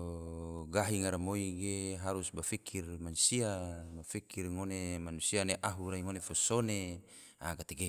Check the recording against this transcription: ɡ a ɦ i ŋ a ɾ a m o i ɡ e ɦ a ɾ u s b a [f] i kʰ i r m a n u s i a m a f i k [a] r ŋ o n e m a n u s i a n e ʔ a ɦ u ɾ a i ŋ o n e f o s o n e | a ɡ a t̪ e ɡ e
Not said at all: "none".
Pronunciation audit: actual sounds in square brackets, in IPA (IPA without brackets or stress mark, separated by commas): f, i